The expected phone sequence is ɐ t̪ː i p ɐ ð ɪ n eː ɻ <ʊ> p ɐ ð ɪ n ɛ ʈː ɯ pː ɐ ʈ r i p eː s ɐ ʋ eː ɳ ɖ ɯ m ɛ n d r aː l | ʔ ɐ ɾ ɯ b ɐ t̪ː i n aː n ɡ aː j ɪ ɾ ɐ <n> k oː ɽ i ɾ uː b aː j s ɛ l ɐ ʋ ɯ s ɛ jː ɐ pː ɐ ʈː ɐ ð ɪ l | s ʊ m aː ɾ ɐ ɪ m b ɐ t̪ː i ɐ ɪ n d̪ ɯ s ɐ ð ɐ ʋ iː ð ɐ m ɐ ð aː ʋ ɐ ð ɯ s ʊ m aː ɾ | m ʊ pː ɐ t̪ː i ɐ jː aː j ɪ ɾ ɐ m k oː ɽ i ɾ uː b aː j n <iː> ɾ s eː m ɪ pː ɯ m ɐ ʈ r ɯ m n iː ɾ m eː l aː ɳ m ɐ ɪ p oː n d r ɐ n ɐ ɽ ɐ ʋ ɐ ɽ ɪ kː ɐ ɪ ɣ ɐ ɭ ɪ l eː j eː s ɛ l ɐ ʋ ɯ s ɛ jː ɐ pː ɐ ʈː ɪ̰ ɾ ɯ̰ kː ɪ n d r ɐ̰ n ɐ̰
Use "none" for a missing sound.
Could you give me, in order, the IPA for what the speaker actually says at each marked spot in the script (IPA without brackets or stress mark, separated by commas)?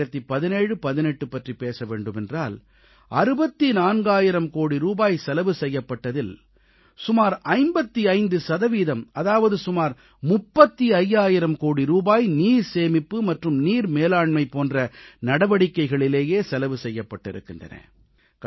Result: ɯ, m, iː